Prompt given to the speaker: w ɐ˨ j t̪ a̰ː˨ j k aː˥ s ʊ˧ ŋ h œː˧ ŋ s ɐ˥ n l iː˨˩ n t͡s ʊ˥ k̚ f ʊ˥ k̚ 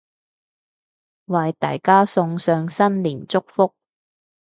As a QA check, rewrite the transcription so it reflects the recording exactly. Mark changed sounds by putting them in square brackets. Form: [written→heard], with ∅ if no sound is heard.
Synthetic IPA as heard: w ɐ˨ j t̪ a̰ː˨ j k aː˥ s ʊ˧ ŋ [h→s] œː˧ ŋ s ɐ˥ n l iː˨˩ n t͡s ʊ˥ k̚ f ʊ˥ k̚